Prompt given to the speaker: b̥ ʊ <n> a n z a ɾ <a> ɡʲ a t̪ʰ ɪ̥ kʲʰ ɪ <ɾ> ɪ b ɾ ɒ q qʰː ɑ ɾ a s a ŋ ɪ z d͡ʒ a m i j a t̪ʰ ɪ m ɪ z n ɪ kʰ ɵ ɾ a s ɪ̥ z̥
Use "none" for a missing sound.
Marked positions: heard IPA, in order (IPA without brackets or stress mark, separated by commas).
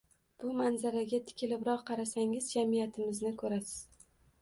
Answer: m, a, l